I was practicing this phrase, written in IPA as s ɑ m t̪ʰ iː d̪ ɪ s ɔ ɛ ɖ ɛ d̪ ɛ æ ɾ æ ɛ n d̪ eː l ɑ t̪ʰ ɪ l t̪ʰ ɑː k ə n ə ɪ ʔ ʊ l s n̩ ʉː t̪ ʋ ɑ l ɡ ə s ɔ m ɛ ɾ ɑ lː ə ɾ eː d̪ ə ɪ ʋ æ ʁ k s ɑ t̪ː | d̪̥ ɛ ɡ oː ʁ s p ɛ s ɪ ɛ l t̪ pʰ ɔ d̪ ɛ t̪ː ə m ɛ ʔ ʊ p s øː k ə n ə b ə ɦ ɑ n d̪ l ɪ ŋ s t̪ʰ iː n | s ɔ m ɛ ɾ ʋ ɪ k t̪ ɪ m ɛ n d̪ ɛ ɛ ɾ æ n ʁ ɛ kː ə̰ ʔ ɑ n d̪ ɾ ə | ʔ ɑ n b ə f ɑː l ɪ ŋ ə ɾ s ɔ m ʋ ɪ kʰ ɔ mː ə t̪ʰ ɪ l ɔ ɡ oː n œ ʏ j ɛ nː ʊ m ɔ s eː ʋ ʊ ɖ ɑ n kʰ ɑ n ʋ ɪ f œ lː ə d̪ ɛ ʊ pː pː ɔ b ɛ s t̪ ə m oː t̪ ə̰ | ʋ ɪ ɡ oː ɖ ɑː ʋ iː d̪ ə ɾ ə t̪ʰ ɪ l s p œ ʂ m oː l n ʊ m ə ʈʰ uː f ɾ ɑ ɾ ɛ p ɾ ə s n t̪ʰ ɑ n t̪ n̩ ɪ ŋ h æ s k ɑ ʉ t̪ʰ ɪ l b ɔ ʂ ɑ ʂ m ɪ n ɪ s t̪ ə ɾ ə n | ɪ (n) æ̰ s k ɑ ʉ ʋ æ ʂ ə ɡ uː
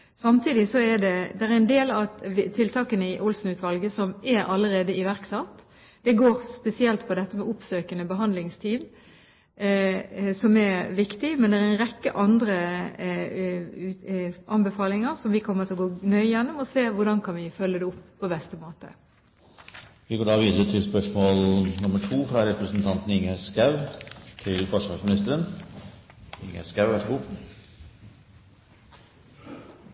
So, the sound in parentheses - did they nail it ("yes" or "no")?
no